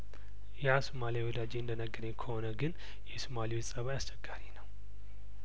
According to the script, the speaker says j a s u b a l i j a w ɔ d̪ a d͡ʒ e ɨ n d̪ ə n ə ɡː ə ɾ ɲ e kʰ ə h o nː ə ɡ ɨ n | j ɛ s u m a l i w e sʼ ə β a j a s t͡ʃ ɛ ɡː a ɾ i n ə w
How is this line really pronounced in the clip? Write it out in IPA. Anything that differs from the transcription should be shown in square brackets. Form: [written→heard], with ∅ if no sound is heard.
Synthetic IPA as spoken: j a s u [b→m] a l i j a w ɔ d̪ a d͡ʒ e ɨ n d̪ ə n ə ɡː ə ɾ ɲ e kʰ ə h o [nː→n] ə ɡ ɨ n | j ɛ s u m a l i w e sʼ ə β a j a s t͡ʃ ɛ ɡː a ɾ i n ə w